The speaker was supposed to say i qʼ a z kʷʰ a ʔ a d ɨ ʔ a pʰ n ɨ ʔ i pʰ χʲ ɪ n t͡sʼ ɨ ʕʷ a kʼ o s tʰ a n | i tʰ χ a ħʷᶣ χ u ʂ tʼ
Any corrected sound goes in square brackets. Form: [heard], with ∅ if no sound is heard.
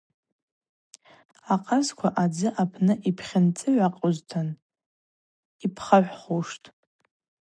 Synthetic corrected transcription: [a] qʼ a z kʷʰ a ʔ a [d͡z] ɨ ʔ a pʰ n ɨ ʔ i pʰ χʲ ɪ n t͡sʼ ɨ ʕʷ a [qʼ] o [z] tʰ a n | i [pʰ] χ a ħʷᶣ χ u ʂ tʼ